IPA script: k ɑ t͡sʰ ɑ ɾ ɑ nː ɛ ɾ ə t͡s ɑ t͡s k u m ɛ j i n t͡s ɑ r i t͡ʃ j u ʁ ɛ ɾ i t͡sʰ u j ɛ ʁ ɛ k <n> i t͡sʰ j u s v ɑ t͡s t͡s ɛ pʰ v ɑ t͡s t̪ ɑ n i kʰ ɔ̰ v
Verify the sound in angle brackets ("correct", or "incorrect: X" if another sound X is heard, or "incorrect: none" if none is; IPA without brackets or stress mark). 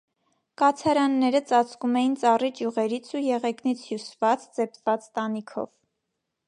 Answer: correct